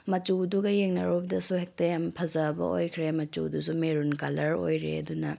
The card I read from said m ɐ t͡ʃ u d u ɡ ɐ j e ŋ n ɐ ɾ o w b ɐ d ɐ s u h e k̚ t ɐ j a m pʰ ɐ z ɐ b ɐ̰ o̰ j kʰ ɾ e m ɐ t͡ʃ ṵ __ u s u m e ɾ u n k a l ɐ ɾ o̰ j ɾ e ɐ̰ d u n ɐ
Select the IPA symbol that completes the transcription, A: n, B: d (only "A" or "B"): B